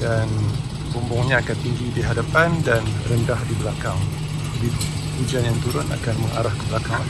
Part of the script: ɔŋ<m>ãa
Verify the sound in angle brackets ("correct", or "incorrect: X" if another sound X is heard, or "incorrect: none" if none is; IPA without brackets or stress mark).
incorrect: ɲ